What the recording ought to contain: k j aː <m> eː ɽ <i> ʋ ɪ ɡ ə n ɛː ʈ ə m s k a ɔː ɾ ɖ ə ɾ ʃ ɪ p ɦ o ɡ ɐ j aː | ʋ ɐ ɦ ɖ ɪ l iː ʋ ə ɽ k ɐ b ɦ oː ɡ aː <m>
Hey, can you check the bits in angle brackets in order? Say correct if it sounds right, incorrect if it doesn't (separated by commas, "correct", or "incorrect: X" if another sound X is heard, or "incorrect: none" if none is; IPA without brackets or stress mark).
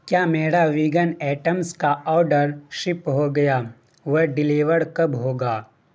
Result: correct, incorrect: a, incorrect: none